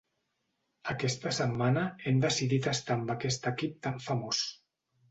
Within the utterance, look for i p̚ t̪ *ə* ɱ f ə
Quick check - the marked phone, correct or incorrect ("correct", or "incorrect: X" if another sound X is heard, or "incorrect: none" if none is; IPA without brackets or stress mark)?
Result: incorrect: a